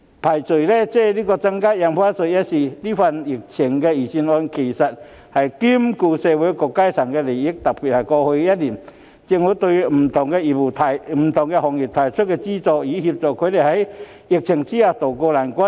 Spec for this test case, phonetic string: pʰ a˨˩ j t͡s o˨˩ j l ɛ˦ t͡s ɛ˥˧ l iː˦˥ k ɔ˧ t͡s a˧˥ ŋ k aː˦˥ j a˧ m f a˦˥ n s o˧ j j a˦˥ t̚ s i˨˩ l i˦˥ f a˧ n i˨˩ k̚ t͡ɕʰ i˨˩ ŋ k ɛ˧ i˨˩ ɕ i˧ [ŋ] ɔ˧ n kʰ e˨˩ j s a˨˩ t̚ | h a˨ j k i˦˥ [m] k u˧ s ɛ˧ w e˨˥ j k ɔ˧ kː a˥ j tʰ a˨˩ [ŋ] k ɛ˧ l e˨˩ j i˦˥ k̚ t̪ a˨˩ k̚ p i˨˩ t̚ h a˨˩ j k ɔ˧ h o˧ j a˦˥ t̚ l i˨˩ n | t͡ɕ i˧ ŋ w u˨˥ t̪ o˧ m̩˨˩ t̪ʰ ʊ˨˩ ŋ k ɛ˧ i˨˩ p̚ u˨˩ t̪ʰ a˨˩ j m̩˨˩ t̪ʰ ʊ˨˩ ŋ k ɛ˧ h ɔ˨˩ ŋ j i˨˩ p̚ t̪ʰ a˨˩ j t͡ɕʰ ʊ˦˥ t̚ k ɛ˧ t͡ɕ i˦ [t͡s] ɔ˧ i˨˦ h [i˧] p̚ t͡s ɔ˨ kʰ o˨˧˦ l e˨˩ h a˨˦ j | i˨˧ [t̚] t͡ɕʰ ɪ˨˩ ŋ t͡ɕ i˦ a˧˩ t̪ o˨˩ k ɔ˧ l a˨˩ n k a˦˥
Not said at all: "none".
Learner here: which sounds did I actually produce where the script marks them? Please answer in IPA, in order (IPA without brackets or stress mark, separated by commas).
n, m, ŋ, t͡s, i˧, k̚